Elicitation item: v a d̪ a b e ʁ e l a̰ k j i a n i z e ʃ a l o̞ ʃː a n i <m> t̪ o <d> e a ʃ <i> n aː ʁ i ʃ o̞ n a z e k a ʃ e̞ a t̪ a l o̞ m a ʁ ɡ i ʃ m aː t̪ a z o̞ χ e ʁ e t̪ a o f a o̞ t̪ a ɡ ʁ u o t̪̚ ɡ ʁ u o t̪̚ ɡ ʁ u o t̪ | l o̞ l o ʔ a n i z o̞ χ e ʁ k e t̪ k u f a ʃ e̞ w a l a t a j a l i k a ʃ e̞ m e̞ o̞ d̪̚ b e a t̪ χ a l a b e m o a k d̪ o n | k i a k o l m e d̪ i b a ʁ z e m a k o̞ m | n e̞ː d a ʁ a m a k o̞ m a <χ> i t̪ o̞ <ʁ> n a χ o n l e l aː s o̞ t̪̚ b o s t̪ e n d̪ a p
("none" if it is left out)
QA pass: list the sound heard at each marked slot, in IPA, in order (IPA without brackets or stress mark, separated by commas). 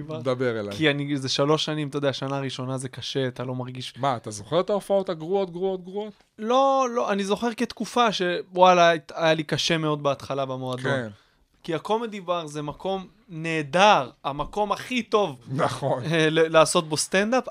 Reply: m, d, a, χ, v